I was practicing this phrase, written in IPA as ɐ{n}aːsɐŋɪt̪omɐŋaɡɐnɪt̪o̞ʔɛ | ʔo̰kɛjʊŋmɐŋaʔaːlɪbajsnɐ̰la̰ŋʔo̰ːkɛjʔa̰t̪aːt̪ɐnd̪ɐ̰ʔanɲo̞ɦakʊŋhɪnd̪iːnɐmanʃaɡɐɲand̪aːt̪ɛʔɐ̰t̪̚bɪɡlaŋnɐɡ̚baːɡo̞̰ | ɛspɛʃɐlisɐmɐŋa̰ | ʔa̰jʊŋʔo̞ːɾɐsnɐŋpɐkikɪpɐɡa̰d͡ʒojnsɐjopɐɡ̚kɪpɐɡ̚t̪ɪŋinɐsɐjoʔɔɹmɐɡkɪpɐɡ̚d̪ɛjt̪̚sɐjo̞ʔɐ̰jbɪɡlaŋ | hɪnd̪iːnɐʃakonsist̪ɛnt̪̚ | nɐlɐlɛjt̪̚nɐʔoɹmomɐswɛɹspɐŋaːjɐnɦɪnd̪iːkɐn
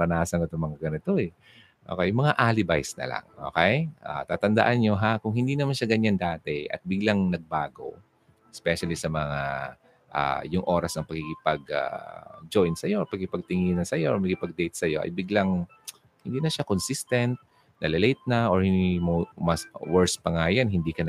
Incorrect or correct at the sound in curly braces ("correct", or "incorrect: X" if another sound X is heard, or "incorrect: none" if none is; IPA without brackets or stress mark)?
correct